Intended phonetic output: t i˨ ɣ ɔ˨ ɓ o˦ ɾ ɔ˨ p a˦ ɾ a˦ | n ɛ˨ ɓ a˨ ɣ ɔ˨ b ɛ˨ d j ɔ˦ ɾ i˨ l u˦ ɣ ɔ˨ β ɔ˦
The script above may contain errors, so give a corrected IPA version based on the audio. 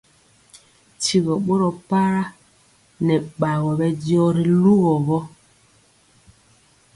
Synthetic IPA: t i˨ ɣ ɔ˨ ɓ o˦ ɾ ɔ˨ p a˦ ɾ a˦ | n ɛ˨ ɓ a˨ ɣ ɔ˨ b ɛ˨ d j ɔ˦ ɾ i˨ l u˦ ɣ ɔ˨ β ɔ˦